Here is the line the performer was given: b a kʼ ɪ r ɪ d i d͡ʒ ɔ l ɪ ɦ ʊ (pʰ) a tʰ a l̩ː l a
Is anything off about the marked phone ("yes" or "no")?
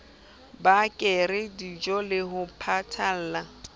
no